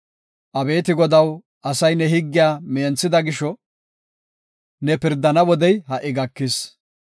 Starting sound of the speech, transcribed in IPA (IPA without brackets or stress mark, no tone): ʔ